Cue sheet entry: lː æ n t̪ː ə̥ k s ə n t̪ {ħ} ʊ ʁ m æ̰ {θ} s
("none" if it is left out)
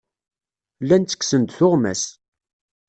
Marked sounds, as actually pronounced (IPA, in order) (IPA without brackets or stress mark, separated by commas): θ, none